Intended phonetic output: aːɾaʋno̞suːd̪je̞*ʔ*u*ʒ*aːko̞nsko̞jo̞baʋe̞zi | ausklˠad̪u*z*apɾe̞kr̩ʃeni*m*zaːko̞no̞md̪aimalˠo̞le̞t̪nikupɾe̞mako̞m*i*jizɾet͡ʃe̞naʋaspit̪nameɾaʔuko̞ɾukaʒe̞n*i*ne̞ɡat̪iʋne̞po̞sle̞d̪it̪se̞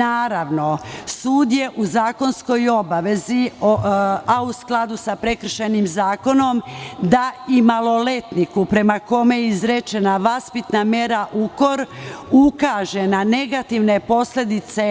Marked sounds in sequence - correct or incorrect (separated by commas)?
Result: correct, incorrect, incorrect, correct, incorrect, incorrect